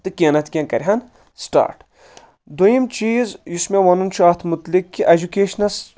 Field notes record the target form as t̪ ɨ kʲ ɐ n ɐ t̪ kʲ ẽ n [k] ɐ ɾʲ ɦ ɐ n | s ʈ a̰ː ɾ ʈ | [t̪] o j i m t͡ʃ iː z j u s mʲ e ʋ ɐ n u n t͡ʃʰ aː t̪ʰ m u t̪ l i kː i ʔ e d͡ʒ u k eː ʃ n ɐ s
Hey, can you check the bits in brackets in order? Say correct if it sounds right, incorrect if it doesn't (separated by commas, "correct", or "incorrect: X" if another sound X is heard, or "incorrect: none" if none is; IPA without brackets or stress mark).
correct, incorrect: d̪